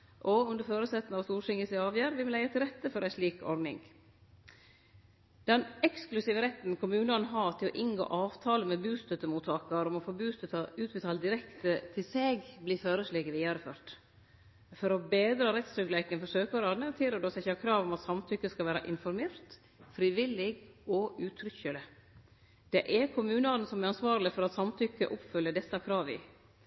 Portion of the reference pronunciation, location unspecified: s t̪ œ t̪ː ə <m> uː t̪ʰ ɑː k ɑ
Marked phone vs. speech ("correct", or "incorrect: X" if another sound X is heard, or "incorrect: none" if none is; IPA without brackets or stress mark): correct